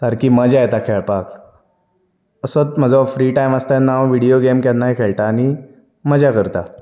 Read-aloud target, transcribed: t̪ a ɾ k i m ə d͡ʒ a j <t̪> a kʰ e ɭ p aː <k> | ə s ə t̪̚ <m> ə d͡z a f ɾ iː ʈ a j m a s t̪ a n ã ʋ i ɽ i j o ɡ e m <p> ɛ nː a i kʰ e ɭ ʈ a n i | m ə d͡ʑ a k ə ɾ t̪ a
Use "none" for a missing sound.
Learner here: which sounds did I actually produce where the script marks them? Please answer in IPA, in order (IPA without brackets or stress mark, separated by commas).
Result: t̪, k, m, k